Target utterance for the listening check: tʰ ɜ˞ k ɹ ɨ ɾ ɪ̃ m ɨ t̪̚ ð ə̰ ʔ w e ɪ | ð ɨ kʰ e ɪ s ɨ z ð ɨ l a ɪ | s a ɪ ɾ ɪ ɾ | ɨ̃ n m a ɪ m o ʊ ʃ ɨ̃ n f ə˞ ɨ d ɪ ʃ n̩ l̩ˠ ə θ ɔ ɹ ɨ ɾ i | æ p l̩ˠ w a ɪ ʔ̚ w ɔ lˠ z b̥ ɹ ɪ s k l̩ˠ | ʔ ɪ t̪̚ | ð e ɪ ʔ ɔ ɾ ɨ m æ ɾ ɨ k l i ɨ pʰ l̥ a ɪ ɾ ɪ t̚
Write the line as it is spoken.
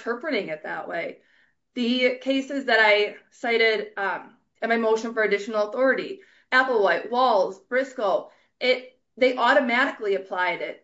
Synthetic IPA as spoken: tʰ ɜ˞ p ɹ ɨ ɾ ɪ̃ ŋ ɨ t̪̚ ð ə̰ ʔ w e ɪ | ð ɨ kʰ e ɪ s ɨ z ð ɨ ɾ a ɪ | s a ɪ ɾ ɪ ɾ | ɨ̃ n m a ɪ m o ʊ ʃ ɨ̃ n f ə˞ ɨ d ɪ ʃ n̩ l̩ˠ ə θ ɔ ɹ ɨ ɾ i | æ p l̩ˠ w a ɪ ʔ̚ w ɔ lˠ z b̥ ɹ ɪ s k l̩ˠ | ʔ ɪ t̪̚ | ð e ɪ ʔ ɔ ɾ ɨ m æ ɾ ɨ k l i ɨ pʰ l̥ a ɪ ɾ ɪ t̚

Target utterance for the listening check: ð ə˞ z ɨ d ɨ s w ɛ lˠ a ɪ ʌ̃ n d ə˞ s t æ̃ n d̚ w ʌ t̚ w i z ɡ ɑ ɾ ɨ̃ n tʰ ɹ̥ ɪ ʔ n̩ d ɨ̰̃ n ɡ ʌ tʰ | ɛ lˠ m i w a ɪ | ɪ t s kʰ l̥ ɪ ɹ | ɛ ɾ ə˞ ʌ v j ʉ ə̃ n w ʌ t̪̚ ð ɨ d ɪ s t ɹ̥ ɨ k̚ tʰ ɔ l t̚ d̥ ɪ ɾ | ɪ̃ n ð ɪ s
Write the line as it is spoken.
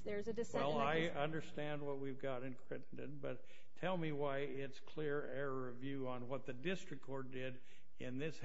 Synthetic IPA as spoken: ð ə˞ z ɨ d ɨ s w ɛ lˠ a ɪ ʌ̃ n d ə˞ s t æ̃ n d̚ w ʌ t̚ w i v ɡ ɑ ɾ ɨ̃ n kʰ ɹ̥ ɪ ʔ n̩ d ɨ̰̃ n b ʌ tʰ | ɛ lˠ m i w a ɪ | ɪ t s kʰ l̥ ɪ ɹ | ɛ ɹ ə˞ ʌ v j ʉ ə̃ n w ʌ t̪̚ ð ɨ d ɪ s t ɹ̥ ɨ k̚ kʰ ɔ ɹ t̚ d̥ ɪ ɾ | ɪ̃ n ð ɪ s

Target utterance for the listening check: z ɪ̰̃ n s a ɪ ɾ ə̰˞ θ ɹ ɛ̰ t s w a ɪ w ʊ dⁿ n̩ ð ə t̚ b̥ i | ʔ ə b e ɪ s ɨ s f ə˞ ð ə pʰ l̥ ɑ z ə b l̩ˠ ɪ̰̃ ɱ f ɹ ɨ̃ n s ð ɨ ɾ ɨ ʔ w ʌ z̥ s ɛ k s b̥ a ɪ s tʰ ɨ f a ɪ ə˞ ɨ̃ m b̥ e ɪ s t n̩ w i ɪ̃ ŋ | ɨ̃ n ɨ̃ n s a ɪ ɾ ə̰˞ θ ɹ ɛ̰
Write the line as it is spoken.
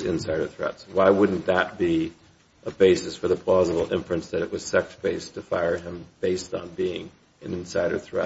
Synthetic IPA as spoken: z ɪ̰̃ n s a ɪ ɾ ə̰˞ θ ɹ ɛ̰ t s w a ɪ w ʊ dⁿ n̩ ð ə t̚ b̥ i | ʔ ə b e ɪ s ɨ s f ə˞ ð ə pʰ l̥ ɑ z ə b l̩ˠ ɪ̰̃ ɱ f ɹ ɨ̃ n s ð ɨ ɾ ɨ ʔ w ʌ z̥ s ɛ k s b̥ e ɪ s tʰ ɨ f a ɪ ə˞ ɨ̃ m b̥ e ɪ s t n̩ b i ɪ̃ ŋ | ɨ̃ n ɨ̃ n s a ɪ ɾ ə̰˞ θ ɹ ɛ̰

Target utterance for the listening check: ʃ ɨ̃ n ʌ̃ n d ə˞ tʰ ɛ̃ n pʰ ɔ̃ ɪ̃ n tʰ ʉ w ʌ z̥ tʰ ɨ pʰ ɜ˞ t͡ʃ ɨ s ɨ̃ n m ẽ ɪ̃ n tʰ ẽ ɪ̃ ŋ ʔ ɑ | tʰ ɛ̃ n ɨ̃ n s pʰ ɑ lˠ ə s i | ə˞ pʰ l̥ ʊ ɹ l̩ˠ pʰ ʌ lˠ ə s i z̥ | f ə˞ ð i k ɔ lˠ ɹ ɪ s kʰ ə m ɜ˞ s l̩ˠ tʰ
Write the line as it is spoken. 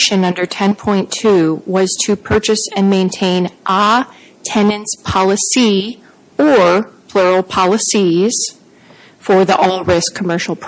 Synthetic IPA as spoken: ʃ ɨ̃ n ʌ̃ n d ə˞ tʰ ɛ̃ n pʰ ɔ̃ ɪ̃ n tʰ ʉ w ʌ z̥ tʰ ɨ pʰ ɜ˞ t͡ʃ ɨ s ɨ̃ n m ẽ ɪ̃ n tʰ ẽ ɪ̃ n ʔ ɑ | tʰ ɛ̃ n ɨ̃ n s pʰ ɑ lˠ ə s i | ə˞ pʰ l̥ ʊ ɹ l̩ˠ pʰ ɑ lˠ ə s i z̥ | f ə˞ ð i ʔ ɔ lˠ ɹ ɪ s kʰ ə m ɜ˞ ʃ l̩ˠ pʰ

